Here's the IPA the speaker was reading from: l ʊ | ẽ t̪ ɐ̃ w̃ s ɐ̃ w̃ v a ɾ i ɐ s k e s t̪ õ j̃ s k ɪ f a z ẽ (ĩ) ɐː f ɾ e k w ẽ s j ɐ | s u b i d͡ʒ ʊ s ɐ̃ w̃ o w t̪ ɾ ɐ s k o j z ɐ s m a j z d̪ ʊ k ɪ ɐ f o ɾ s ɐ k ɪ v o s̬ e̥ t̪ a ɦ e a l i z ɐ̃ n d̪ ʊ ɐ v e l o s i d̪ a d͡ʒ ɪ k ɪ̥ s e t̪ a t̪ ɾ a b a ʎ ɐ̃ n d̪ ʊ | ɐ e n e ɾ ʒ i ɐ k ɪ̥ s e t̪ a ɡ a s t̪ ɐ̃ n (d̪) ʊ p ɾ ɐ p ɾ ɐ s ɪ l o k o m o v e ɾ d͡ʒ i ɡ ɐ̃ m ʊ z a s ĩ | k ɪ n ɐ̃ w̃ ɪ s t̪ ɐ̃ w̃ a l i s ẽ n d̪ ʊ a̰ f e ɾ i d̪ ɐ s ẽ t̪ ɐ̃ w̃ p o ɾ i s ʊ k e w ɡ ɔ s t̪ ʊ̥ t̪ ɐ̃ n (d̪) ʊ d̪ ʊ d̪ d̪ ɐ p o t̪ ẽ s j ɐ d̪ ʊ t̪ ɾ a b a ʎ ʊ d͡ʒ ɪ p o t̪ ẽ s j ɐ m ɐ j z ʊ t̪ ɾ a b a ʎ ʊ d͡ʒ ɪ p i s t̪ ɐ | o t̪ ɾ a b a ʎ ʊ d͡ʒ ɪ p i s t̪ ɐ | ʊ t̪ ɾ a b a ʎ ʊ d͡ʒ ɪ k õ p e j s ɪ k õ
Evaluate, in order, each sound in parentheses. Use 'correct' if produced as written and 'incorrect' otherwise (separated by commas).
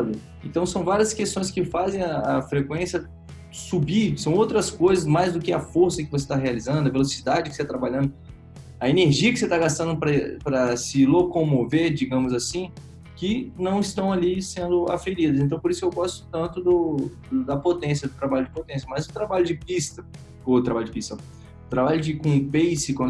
incorrect, correct, incorrect